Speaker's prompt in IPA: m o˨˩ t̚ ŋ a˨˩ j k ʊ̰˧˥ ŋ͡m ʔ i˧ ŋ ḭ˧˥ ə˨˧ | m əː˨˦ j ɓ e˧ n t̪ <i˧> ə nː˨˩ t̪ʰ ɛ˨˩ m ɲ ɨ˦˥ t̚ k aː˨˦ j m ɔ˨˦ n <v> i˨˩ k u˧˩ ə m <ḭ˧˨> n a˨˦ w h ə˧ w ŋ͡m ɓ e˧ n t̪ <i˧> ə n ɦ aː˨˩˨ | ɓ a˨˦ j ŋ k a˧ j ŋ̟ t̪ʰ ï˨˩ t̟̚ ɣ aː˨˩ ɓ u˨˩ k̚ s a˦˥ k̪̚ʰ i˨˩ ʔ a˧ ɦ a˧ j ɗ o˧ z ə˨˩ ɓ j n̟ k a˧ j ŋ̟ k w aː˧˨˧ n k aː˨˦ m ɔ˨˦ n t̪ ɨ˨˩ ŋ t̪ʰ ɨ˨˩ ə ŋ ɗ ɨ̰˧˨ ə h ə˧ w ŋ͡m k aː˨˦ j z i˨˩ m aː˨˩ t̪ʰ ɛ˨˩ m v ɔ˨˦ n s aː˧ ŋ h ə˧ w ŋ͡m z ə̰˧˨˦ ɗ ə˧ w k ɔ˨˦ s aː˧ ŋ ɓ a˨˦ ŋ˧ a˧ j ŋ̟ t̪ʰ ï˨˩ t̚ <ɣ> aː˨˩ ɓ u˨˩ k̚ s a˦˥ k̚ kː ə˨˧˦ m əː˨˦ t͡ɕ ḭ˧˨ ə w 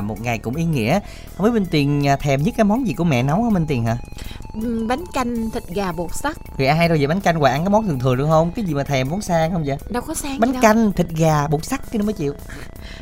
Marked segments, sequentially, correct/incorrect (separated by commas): incorrect, incorrect, incorrect, incorrect, correct